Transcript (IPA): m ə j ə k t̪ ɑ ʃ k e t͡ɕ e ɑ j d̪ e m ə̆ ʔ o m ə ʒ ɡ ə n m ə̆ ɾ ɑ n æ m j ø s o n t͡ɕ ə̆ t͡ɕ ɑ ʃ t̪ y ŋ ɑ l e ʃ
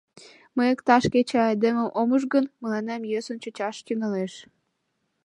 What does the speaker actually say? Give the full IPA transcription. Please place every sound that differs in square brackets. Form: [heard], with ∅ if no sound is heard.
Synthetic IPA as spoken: m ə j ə k t̪ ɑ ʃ k e t͡ɕ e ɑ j d̪ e m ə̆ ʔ o m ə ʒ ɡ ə n m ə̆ [l] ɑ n æ m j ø s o n t͡ɕ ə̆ t͡ɕ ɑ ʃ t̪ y ŋ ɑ l e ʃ